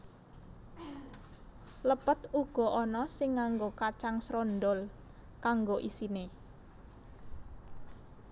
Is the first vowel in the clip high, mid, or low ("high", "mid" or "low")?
mid